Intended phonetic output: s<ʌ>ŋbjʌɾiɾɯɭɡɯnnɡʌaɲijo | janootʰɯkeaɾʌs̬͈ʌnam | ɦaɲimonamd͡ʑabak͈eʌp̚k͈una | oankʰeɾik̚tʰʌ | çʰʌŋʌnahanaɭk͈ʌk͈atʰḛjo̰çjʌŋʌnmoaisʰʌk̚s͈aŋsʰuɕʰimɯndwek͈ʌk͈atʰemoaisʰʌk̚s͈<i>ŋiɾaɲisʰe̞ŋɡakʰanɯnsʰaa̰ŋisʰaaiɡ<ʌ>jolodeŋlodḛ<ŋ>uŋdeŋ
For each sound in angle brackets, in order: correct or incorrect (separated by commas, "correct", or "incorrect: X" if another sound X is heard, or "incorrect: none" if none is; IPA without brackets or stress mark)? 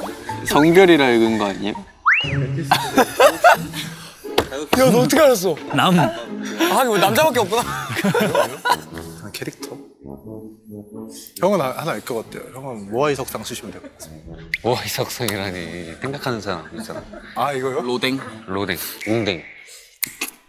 correct, incorrect: a, correct, correct